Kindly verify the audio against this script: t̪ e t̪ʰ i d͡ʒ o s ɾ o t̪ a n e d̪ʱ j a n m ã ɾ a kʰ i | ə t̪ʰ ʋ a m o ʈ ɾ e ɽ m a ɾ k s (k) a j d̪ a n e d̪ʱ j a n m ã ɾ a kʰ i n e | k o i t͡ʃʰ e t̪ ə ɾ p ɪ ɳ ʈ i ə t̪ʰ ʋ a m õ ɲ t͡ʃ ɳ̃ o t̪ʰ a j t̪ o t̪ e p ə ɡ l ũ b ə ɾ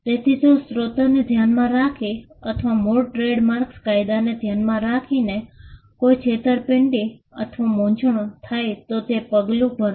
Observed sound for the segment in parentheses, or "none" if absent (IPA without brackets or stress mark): k